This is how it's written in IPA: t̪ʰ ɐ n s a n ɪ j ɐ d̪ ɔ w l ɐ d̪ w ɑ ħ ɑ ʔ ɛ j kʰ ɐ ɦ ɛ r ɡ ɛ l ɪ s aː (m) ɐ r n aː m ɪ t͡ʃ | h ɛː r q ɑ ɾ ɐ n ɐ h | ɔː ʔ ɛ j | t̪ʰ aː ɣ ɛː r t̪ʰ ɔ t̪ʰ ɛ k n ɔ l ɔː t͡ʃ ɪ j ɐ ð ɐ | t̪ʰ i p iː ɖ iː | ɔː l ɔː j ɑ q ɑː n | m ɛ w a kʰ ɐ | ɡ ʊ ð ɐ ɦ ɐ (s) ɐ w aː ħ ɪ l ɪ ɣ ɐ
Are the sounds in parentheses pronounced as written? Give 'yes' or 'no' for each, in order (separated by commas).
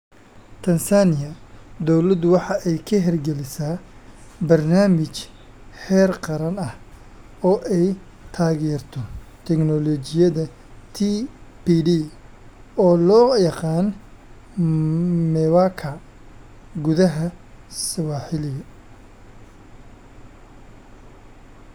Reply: no, yes